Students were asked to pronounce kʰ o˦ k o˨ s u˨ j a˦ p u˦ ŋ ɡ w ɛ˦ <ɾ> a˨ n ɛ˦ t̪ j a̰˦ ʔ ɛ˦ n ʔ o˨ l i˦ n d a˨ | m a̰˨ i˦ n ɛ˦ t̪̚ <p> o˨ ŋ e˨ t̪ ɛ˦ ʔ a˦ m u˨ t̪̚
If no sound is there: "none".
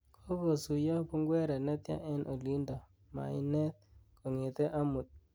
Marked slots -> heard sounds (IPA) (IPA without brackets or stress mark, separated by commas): ɾ, k